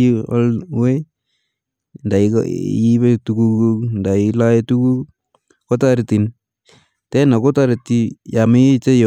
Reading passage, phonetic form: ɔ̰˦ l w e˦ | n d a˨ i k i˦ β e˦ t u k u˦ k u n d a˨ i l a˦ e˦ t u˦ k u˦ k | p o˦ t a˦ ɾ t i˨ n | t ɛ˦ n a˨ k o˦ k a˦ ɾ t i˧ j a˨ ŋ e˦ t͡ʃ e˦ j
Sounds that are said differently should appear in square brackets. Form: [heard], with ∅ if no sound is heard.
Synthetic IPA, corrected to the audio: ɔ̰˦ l w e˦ | n d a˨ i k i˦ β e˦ t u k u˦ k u n d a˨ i l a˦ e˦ t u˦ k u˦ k | [k] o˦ t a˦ ɾ t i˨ n | t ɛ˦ n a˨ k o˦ [t] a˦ ɾ t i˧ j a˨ [m] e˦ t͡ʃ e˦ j

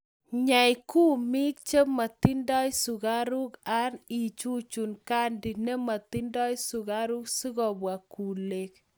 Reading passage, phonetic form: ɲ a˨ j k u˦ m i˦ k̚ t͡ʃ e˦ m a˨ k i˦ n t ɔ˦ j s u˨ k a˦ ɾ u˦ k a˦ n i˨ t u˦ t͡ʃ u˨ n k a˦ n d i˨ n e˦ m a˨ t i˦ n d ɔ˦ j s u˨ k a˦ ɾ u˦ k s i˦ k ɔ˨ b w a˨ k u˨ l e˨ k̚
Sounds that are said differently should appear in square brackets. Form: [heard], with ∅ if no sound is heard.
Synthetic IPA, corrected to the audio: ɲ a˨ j k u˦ m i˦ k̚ t͡ʃ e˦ m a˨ [t] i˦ n [d] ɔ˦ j s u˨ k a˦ ɾ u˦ k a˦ n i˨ [t͡ʃ] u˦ t͡ʃ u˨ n k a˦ n d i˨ n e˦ m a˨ t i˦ n d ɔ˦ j s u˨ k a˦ ɾ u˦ k s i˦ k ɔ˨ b w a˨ k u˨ l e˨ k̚

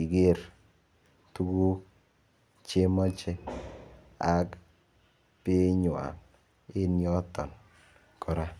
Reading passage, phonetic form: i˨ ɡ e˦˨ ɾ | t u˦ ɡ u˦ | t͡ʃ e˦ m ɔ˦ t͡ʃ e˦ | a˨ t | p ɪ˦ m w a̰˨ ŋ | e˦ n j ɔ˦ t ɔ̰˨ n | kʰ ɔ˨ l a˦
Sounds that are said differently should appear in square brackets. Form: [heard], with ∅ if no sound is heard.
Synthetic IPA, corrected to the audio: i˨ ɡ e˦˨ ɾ | t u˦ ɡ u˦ | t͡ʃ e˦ m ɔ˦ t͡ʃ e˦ | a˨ [k] | p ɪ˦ [ɲ] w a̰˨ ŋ | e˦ n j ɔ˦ t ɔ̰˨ n | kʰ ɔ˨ [ɾ] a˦

